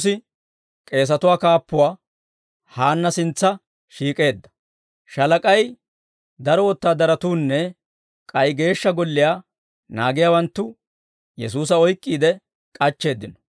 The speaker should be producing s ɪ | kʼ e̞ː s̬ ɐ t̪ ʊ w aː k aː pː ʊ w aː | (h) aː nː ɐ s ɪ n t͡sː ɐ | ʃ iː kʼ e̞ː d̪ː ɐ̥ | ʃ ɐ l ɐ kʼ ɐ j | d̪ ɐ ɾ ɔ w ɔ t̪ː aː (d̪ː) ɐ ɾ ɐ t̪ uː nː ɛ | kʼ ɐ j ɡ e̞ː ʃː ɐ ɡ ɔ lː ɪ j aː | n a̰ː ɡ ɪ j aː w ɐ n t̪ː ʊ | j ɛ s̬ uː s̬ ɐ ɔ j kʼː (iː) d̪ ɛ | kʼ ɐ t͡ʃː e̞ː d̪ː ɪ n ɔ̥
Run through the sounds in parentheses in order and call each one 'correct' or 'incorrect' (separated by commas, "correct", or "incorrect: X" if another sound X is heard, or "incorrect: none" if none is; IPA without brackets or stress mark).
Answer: correct, incorrect: d̪, correct